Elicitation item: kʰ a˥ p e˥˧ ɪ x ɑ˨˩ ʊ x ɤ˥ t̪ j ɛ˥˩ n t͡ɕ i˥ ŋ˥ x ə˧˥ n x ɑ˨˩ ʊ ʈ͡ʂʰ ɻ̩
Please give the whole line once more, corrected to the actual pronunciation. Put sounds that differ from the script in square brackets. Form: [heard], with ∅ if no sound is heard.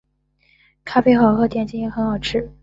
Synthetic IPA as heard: kʰ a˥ p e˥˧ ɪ x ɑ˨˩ ʊ x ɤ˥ t̪ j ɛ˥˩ n t͡ɕ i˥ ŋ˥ x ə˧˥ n x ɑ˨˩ ʊ ʈ͡ʂʰ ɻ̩